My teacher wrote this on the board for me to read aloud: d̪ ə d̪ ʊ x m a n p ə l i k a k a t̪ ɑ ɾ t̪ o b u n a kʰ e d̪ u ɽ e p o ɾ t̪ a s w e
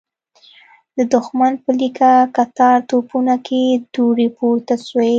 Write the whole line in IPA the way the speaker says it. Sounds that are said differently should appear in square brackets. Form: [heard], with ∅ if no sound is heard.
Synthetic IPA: d̪ ə d̪ ʊ x m a n p ə l i k a k a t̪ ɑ ɾ t̪ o [p] u n a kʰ e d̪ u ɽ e p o ɾ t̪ a s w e